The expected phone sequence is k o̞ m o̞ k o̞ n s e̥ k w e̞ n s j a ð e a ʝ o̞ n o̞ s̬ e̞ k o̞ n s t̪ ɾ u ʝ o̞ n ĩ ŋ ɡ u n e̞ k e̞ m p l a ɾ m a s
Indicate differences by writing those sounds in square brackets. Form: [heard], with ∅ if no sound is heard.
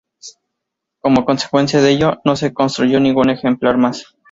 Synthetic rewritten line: k o̞ m o̞ k o̞ n s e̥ k w e̞ n s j a ð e [e] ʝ o̞ n o̞ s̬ e̞ k o̞ n s t̪ ɾ u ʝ o̞ n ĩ ŋ ɡ u n e̞ [x] e̞ m p l a ɾ m a s